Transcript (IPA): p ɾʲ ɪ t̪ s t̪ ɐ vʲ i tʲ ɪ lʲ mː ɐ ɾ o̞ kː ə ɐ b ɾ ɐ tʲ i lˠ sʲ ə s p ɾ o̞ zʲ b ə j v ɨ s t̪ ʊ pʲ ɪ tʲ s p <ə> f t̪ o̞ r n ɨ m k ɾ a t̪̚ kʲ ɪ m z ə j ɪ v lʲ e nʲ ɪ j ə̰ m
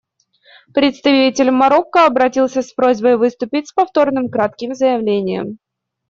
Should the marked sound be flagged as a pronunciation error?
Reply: yes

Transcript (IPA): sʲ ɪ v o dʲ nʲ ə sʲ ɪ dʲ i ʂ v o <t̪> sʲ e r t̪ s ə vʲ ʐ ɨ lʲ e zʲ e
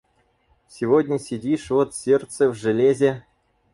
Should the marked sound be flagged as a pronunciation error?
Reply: no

